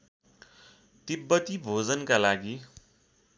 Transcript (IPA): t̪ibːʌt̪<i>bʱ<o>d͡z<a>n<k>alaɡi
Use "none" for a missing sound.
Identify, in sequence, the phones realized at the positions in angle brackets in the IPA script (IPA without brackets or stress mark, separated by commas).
i, o, ʌ, k